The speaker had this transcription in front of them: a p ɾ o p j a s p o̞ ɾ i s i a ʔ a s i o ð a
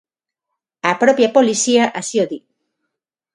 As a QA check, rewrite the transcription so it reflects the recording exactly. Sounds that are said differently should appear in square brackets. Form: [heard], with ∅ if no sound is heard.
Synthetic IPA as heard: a p ɾ o p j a [∅] p o̞ [l] i s i a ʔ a s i o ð [i]